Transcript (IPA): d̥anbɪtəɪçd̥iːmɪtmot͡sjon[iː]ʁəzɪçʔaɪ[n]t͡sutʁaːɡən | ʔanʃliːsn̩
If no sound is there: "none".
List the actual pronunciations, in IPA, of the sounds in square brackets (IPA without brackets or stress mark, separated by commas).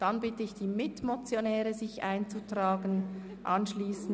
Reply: ɛː, n